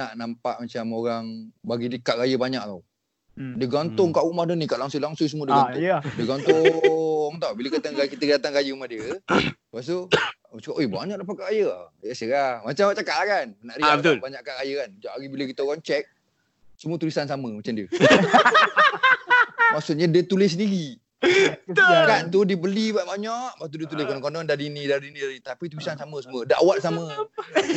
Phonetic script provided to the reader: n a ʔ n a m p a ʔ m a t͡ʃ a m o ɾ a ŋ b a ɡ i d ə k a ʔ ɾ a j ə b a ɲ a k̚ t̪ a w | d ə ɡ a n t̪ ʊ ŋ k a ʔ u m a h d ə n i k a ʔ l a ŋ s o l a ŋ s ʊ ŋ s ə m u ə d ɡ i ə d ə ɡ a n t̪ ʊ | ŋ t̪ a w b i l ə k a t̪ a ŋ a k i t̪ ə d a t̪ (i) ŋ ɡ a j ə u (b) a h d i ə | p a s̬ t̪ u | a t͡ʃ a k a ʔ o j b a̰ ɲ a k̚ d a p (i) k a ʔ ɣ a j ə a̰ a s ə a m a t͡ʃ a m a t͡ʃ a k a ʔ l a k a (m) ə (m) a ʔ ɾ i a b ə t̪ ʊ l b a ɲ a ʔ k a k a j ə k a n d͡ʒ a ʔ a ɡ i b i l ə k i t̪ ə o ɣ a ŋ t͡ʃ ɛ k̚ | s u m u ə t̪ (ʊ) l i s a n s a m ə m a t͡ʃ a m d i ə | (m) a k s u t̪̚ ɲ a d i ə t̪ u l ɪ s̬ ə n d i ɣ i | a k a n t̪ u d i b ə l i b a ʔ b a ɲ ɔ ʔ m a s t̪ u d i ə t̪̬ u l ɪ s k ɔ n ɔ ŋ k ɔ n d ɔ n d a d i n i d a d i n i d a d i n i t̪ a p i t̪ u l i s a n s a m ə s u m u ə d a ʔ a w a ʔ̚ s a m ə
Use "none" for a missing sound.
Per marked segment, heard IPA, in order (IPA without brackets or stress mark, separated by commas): a, m, a, n, n, u, m